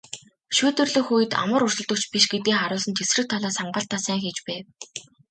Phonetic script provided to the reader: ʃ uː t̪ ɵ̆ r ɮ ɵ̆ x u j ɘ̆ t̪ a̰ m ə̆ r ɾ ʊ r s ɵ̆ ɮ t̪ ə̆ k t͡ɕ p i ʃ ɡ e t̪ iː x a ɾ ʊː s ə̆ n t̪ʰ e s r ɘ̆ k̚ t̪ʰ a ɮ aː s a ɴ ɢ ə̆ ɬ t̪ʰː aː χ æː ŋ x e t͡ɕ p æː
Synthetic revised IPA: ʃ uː t̪ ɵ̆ r ɮ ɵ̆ x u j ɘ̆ t̪ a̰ m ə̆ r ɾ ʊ r s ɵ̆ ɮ t̪ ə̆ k t͡ɕ p i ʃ ɡ e t̪ iː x a ɾ ʊː s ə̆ n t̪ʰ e s r ɘ̆ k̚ t̪ʰ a ɮ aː s a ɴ ɢ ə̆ ɬ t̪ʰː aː s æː ŋ x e t͡ɕ p æː